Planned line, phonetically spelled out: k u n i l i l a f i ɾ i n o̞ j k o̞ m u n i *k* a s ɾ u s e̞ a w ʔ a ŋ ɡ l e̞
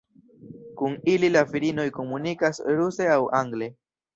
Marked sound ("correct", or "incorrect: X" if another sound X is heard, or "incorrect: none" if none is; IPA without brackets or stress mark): correct